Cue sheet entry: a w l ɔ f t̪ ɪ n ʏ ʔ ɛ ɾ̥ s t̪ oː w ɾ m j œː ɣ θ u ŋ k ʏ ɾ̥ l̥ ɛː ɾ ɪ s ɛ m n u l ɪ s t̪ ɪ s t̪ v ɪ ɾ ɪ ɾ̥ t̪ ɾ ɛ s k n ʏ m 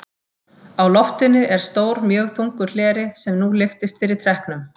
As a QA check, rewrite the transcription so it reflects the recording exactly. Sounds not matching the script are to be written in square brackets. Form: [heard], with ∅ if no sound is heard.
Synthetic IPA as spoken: a w l ɔ f t̪ ɪ n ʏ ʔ ɛ ɾ̥ s t̪ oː w ɾ m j œː ɣ θ u ŋ k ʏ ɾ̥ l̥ ɛː ɾ ɪ s ɛ m n u l ɪ [f] t̪ ɪ s t̪ [f] ɪ ɾ ɪ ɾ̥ [t̪ʰ] ɾ ɛ [h] k n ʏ m